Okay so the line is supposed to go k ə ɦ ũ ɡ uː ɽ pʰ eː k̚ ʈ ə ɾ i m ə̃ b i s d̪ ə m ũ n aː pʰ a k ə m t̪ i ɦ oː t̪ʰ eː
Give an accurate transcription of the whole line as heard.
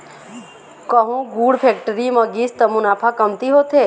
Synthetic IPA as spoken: k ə ɦ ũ ɡ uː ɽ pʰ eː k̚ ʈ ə ɾ i m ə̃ ɡ i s t̪ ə m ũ n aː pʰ a k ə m t̪ i ɦ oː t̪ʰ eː